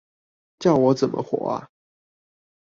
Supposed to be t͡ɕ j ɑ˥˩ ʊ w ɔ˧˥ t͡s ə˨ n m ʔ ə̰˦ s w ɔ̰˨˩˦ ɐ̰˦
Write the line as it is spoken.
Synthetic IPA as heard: t͡ɕ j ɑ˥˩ ʊ w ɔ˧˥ t͡s ə˨ n m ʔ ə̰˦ x w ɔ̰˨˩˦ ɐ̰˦